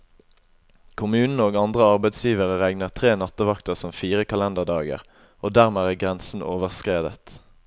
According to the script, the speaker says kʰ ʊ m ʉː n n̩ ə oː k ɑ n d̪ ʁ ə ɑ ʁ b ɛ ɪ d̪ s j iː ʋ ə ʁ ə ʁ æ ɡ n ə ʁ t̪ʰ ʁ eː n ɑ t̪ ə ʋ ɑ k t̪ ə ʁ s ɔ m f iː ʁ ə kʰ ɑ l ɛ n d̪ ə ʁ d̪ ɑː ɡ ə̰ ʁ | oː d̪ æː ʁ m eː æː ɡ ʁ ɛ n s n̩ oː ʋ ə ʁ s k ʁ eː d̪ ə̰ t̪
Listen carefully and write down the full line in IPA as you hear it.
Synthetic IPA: kʰ ʊ m ʉː n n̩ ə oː ɡ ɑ n d̪ ʁ ə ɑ ʁ b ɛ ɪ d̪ s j iː ʋ ə ʁ ə ʁ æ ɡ n ə ʁ t̪ʰ ʁ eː n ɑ t̪ ə ʋ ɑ k t̪ ə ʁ s ɔ m f iː ʁ ə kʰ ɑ l ɛ n d̪ ə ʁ d̪ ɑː ɡ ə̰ ʁ | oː d̪ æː ʁ m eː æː ɡ ʁ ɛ n s n̩ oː ʋ ə ʁ s k ʁ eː d̪ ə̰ t̪